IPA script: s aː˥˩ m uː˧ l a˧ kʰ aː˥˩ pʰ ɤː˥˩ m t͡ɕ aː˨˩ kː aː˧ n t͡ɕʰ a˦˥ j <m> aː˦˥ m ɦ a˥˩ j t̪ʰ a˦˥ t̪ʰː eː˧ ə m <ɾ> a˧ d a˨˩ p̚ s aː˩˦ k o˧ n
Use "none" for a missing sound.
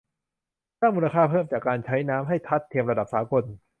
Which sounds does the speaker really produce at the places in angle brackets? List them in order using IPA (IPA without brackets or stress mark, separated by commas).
n, ɾ